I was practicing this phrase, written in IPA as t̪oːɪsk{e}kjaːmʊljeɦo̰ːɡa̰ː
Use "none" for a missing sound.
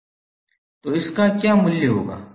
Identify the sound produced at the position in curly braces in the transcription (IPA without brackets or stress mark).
a